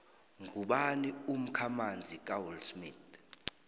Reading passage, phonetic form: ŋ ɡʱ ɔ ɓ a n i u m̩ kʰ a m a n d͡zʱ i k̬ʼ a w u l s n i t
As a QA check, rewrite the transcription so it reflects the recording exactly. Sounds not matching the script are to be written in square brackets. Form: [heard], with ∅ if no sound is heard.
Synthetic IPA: ŋ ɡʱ [u] ɓ a n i u m̩ kʰ a m a n d͡zʱ i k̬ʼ a w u l s [m] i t